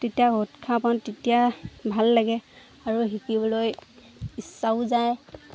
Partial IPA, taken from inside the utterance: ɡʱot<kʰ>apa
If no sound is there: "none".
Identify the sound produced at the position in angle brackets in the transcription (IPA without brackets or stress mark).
kʰ